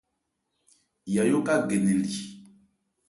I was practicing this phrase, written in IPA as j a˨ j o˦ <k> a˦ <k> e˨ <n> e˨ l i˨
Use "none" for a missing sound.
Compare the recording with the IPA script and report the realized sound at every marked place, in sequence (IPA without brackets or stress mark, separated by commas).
k, ɡ, n